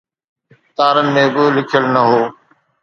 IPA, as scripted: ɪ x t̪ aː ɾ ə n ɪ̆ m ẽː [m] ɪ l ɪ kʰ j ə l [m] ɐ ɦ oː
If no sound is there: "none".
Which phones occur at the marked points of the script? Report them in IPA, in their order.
b, n

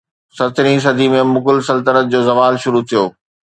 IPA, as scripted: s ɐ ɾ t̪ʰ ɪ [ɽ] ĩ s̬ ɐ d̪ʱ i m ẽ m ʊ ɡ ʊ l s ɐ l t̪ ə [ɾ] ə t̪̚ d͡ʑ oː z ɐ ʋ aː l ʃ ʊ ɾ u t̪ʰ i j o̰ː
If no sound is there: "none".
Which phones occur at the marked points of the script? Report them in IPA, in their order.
ɾ, ɾ

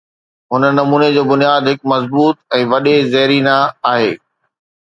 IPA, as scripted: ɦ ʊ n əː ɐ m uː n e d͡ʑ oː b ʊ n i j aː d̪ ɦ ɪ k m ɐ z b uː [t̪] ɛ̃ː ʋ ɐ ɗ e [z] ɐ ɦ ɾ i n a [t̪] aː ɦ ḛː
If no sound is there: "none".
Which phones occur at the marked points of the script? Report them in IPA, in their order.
t̪, z, none

